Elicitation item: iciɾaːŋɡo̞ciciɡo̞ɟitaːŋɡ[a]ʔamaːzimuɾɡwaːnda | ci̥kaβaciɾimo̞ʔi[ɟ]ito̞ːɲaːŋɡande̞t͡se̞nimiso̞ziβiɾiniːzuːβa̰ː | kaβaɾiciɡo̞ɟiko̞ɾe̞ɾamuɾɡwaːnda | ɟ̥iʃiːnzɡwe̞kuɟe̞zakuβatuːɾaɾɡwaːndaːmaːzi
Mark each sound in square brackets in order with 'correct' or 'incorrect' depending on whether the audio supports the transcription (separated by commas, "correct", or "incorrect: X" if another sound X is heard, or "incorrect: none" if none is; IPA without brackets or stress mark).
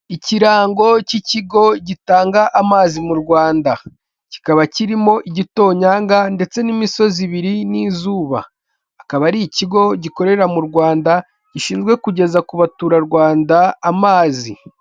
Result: correct, correct